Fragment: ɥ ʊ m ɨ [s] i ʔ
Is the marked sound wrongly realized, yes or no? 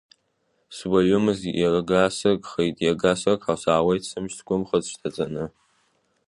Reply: yes